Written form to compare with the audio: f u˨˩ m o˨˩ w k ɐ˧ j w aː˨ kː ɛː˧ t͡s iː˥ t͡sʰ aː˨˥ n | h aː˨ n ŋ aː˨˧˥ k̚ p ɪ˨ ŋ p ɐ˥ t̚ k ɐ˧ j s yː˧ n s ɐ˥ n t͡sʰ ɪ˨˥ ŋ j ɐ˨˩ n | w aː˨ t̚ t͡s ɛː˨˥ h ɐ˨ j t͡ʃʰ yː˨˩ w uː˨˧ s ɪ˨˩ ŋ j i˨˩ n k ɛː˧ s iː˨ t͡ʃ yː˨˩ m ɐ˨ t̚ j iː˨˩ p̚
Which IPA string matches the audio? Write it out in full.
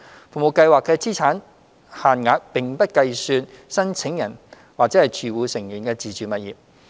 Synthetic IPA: f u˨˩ m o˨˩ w k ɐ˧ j w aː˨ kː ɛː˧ t͡s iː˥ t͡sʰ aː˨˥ n | h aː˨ n ŋ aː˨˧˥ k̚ p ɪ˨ ŋ p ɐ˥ t̚ k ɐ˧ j s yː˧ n s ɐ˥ n t͡sʰ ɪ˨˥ ŋ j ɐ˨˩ n | w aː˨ k̚ t͡s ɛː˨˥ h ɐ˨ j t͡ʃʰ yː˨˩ w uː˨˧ s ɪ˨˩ ŋ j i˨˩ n k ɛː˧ t͡s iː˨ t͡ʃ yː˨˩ m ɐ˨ t̚ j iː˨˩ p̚

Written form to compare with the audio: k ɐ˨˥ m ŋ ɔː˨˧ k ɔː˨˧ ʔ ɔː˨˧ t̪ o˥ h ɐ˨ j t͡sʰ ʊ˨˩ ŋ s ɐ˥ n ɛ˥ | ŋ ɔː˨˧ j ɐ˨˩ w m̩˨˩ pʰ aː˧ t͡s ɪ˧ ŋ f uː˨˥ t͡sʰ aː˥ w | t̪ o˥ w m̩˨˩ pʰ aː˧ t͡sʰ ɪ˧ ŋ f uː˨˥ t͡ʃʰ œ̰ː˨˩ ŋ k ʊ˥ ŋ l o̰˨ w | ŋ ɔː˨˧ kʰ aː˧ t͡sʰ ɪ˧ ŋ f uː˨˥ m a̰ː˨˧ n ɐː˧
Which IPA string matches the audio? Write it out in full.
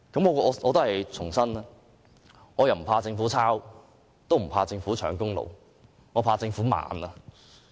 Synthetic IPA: k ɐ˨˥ m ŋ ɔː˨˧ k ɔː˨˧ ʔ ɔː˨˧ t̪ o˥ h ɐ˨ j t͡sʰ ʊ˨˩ ŋ s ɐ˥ n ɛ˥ | ŋ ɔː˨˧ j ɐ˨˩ w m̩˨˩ pʰ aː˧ t͡s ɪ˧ ŋ f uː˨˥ t͡sʰ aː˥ w | t̪ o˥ w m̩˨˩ pʰ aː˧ t͡s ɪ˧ ŋ f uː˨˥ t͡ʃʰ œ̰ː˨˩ ŋ k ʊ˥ ŋ l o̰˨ w | ŋ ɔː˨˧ pʰ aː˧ t͡s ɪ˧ ŋ f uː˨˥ m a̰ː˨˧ n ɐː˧

